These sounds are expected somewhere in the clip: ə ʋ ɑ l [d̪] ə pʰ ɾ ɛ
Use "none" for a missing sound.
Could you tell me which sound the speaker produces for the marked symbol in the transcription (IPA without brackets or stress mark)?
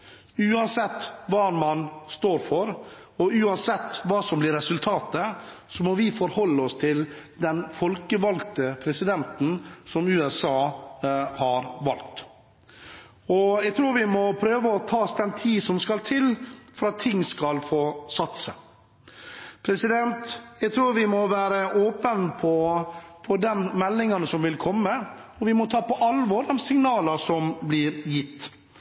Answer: t̪